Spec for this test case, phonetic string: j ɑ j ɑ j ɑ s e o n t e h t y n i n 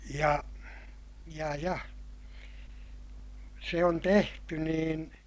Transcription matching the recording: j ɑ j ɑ j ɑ s e o n t e h t y n iː n